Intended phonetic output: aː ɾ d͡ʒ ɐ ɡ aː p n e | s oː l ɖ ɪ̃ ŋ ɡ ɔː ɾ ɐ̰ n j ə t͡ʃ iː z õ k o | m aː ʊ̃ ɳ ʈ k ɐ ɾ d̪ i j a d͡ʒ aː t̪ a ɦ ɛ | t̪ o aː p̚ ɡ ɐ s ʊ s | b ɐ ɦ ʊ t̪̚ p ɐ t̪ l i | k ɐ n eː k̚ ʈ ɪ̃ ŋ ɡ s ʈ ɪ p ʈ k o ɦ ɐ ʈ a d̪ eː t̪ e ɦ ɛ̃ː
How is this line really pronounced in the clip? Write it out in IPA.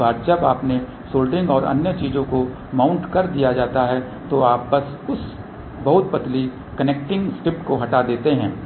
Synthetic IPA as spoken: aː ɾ d͡ʒ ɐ b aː p n e | s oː l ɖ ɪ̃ ŋ ɡ ɔː ɾ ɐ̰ n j ə t͡ʃ iː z õ k o | m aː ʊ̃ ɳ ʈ k ɐ ɾ d̪ i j a d͡ʒ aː t̪ a ɦ ɛ | t̪ o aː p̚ b ɐ s ʊ s | b ɐ ɦ ʊ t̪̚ p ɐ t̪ l i | k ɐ n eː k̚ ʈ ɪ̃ ŋ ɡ s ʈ ɪ p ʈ k o ɦ ɐ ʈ a d̪ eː t̪ e ɦ ɛ̃ː